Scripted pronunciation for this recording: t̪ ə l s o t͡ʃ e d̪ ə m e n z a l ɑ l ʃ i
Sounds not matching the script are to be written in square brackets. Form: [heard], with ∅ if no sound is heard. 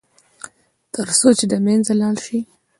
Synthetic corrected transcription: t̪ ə [ɾ] s o t͡ʃ e d̪ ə m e n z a l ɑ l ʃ i